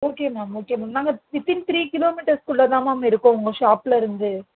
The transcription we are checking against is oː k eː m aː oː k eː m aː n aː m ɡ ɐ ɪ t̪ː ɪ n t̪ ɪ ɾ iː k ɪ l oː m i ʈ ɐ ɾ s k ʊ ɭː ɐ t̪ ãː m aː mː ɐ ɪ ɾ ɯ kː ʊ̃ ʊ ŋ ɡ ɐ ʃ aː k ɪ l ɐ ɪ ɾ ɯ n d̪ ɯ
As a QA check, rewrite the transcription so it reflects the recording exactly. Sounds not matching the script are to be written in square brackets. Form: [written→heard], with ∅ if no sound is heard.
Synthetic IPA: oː k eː m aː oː k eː m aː n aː [m→ŋ] ɡ ɐ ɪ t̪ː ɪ n t̪ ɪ ɾ iː k ɪ l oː m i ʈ ɐ ɾ s k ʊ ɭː ɐ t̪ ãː m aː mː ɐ ɪ ɾ ɯ kː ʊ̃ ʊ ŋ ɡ ɐ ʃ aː [k→p] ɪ l ɐ ɪ ɾ ɯ n d̪ ɯ